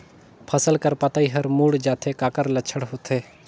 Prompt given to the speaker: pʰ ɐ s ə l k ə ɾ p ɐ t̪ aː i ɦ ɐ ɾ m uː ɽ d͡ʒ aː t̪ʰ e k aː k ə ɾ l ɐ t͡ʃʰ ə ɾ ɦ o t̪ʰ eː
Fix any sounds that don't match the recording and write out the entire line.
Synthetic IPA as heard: pʰ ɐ s ə l k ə ɾ p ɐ t̪ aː i ɦ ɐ ɾ m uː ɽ d͡ʒ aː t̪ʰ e k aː k ə ɾ l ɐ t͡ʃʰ ə ɽ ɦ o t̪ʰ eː